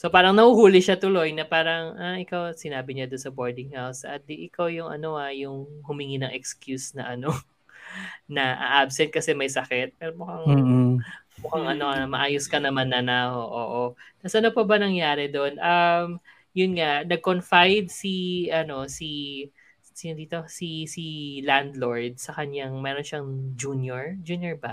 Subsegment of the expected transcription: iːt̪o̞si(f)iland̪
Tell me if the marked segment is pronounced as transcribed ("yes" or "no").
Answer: no